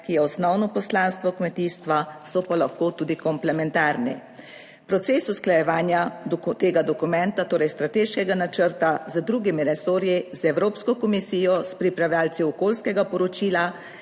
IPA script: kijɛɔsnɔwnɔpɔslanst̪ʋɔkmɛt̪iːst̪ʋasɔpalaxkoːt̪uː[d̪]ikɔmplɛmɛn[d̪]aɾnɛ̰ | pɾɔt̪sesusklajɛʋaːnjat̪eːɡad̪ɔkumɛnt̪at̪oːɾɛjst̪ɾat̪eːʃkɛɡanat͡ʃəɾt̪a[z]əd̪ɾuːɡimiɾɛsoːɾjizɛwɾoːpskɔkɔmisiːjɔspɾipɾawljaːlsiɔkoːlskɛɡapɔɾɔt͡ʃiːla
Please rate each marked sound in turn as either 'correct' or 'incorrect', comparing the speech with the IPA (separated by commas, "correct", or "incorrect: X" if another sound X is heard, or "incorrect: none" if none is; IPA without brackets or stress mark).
correct, incorrect: t̪, correct